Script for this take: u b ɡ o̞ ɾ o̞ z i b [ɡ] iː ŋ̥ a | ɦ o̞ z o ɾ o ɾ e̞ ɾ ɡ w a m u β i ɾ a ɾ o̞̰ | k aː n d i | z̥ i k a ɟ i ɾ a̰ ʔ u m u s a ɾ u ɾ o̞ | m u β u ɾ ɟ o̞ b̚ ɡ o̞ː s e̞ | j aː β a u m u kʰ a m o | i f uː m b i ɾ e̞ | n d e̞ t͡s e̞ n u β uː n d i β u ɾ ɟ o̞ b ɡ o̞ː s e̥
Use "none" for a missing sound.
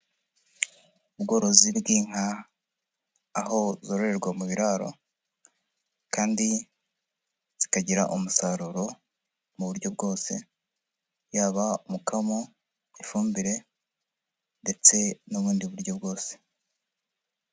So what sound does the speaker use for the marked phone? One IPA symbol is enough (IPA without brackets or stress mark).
ɡ